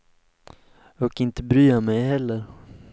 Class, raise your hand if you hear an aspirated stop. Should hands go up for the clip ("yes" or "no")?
no